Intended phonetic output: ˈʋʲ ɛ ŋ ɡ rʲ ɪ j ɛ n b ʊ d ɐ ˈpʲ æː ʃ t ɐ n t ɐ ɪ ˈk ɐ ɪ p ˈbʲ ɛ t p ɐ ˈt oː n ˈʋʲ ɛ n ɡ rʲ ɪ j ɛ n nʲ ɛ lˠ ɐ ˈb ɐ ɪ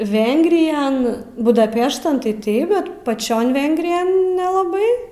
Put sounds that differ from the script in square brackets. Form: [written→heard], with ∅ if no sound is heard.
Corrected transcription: ˈʋʲ ɛ ŋ ɡ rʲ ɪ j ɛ n b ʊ d ɐ ˈpʲ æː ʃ t ɐ n t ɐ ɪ [ˈk→ˈt] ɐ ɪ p ˈbʲ ɛ t p ɐ [ˈt→ˈt͡ʃʲ] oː n ˈʋʲ ɛ [n→ŋ] ɡ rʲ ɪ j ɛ n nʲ ɛ lˠ ɐ ˈb ɐ ɪ